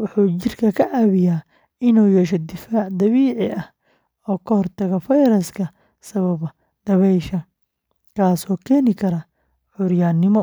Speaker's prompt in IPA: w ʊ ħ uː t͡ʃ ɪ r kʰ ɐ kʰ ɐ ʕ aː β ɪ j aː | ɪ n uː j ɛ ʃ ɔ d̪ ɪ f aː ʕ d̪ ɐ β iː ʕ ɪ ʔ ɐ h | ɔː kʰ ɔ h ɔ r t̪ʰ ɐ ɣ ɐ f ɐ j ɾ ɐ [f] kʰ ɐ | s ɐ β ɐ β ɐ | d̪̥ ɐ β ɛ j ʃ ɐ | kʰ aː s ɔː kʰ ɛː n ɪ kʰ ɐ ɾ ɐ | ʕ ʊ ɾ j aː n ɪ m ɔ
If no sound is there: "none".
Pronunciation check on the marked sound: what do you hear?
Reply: s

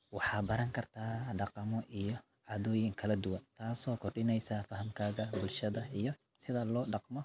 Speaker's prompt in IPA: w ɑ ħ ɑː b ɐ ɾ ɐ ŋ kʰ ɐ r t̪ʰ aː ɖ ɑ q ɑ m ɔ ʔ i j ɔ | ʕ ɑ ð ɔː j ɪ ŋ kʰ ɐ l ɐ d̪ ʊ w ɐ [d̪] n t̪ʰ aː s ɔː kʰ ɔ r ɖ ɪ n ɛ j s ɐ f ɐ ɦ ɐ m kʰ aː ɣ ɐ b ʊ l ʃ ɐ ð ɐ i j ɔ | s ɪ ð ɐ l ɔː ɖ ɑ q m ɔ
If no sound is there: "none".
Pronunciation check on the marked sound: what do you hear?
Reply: none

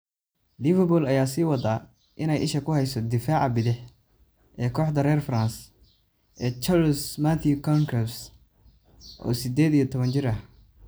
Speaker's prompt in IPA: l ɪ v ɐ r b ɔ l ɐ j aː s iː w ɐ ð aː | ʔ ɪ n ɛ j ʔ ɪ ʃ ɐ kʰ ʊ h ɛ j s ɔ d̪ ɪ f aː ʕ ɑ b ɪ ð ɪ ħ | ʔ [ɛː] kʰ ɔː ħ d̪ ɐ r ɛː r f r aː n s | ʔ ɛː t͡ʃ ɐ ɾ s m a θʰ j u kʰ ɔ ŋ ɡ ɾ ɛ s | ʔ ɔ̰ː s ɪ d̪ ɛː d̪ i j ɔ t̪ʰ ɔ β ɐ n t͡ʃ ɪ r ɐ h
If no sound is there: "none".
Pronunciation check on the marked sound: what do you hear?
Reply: ɛː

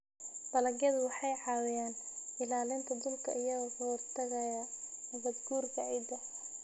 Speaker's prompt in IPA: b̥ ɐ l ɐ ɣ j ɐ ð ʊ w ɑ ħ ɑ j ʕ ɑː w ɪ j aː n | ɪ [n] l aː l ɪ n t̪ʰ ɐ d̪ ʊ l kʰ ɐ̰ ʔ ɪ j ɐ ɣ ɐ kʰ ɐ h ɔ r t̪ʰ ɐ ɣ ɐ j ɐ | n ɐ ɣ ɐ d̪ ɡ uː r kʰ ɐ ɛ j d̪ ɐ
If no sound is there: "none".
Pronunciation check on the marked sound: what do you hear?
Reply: none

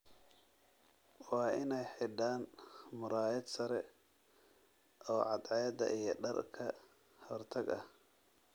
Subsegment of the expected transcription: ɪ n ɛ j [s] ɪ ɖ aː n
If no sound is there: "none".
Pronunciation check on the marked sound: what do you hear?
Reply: ħ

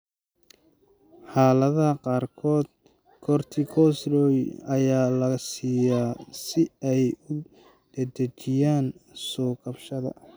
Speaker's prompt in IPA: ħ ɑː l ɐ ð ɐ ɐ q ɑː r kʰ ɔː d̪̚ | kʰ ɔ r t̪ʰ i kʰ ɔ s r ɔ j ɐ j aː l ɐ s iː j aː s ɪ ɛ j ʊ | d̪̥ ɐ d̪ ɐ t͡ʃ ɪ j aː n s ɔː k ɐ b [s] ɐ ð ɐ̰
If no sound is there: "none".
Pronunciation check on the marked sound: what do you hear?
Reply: ʃ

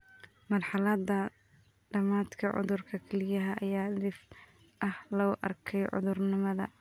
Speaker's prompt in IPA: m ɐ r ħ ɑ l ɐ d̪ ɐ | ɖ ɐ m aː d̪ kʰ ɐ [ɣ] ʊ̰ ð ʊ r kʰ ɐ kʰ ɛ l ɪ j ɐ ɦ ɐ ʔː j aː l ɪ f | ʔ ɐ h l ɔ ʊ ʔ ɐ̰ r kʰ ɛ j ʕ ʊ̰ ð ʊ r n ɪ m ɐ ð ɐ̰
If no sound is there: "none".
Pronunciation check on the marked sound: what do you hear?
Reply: ʕ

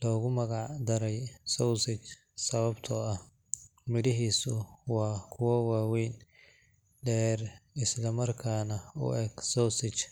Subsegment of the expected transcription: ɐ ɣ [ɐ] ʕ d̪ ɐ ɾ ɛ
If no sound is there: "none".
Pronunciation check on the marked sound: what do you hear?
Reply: ɑ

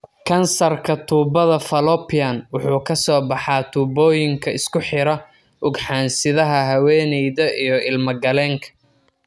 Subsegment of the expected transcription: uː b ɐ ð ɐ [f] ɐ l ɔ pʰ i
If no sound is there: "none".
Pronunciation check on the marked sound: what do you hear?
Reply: f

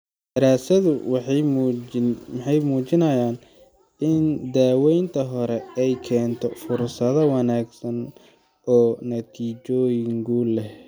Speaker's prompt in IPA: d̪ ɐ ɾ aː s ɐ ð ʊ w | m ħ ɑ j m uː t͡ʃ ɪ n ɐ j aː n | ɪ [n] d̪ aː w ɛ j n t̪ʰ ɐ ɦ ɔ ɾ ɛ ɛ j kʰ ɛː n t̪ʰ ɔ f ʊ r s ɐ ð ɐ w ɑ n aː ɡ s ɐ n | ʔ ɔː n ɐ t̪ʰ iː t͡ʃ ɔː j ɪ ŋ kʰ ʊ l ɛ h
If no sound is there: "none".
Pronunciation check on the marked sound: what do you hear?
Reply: n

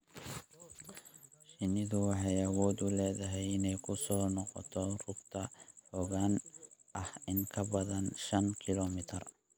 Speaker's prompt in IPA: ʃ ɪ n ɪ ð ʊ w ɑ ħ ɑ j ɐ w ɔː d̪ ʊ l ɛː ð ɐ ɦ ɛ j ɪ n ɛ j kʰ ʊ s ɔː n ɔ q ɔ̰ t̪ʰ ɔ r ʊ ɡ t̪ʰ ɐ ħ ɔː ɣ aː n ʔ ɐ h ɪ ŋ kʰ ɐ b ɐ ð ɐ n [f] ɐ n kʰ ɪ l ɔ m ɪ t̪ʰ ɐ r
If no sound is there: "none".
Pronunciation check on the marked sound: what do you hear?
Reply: ʃ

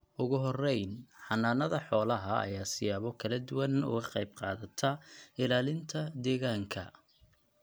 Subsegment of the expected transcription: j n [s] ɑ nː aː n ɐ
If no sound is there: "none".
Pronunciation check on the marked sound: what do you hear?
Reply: ħ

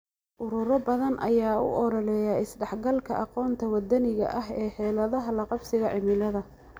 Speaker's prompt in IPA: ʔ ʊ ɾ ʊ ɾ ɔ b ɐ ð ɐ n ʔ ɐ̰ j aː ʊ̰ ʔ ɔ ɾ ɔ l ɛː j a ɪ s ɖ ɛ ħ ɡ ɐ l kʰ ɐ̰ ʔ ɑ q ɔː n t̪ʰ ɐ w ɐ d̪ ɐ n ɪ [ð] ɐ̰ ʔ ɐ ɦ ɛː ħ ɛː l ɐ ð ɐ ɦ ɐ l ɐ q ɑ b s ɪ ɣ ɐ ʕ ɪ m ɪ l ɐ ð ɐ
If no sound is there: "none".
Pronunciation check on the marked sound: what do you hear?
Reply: ɣ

